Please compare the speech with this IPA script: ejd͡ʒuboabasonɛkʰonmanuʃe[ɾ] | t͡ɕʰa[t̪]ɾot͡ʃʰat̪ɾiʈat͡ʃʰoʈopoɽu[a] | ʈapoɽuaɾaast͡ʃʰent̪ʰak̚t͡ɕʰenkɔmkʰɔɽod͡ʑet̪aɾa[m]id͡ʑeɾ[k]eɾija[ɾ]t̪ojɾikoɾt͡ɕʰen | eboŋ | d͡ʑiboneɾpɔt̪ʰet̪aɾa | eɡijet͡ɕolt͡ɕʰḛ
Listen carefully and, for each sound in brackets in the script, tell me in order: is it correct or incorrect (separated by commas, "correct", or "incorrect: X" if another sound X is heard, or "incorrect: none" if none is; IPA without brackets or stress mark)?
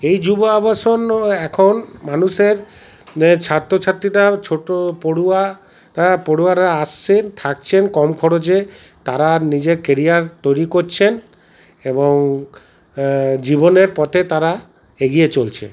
correct, correct, correct, incorrect: n, correct, correct